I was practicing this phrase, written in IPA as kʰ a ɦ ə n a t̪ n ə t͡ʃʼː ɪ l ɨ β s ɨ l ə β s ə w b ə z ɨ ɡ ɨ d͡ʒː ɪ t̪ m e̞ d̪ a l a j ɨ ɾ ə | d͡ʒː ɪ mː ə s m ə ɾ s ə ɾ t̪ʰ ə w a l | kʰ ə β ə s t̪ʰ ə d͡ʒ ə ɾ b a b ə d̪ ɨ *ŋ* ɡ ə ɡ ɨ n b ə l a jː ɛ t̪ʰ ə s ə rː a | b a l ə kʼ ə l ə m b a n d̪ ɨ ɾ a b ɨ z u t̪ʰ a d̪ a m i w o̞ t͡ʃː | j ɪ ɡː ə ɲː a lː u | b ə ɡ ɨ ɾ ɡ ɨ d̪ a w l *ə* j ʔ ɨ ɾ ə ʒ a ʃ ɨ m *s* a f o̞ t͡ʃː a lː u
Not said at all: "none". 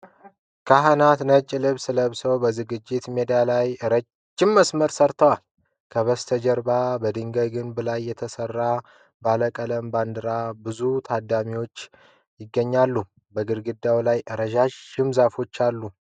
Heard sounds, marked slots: ŋ, a, z

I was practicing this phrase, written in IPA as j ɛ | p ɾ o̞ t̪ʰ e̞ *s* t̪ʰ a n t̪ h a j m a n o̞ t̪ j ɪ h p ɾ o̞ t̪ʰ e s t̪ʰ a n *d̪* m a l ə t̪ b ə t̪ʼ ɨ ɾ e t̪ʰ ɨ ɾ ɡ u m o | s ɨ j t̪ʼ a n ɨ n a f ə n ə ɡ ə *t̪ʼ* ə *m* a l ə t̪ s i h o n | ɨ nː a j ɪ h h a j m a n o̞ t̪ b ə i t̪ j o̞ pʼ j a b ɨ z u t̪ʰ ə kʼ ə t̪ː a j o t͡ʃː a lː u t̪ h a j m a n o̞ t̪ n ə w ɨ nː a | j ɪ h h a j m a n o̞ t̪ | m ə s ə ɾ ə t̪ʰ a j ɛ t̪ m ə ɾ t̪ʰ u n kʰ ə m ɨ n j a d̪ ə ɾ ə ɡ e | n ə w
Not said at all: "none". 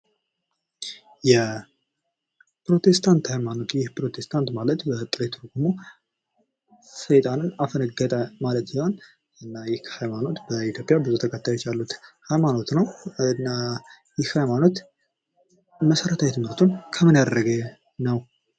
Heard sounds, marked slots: s, t̪, t̪ʼ, m

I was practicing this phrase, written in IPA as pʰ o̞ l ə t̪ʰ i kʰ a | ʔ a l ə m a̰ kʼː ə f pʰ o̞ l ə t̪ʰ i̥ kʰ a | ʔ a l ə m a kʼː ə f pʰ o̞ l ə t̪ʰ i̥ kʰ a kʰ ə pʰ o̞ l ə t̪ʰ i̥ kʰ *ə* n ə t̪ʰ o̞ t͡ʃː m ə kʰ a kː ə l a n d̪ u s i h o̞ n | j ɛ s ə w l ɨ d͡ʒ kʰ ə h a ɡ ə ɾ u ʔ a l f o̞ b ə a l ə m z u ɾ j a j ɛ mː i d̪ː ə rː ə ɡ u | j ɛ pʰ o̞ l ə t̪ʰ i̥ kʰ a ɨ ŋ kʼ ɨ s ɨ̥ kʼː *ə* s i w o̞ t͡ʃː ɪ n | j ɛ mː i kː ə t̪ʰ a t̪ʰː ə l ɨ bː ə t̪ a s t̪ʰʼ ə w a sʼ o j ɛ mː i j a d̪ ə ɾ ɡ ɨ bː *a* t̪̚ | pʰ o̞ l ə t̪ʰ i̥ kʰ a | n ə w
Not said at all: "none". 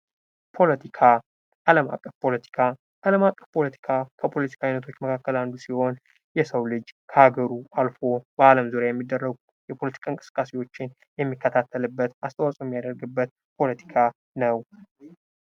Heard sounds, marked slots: a, a, ə

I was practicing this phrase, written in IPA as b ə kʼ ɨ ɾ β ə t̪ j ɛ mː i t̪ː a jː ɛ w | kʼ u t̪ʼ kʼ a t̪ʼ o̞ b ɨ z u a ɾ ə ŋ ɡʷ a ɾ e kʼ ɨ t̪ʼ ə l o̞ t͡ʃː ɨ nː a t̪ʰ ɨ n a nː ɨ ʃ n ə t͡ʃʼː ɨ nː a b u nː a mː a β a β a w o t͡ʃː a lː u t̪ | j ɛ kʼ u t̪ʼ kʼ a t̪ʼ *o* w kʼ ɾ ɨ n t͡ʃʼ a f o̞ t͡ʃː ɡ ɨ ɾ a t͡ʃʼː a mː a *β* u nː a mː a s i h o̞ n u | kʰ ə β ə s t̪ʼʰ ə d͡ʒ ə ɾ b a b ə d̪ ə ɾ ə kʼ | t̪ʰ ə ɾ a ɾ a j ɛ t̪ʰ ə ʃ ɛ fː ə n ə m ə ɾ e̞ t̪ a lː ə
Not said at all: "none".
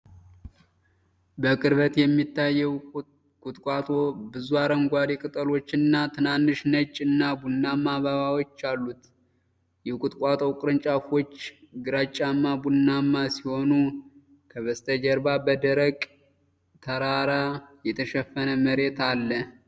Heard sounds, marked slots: o, b

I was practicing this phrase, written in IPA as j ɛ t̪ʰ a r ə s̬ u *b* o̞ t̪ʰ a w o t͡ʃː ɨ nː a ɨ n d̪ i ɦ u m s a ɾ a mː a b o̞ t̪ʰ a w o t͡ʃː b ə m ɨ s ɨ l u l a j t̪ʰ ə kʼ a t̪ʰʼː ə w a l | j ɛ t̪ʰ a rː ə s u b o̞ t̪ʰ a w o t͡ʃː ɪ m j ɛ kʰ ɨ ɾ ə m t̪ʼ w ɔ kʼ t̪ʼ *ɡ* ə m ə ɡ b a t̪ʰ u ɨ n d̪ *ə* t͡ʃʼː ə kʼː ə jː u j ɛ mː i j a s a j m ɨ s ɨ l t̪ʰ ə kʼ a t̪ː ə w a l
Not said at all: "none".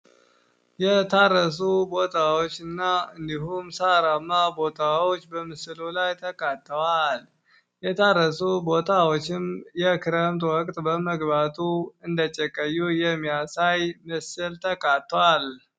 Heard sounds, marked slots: b, b, ə

